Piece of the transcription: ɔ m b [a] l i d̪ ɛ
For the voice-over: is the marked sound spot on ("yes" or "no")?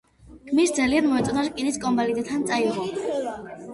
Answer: yes